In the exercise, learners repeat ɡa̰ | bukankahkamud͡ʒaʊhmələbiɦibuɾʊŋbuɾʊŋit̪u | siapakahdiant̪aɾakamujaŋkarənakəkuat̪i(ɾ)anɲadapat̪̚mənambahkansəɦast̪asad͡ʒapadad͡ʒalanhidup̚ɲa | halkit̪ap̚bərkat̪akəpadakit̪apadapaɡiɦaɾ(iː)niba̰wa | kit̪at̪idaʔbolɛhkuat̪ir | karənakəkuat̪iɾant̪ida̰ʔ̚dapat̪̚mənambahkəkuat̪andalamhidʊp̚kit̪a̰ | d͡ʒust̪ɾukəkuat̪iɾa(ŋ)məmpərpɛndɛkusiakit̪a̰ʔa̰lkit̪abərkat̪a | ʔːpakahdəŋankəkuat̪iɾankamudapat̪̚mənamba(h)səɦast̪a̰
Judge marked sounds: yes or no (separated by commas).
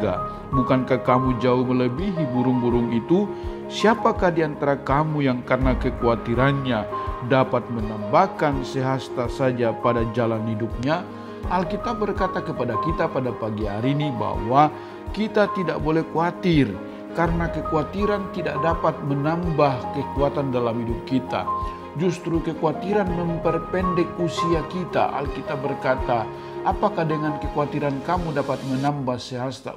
yes, no, no, yes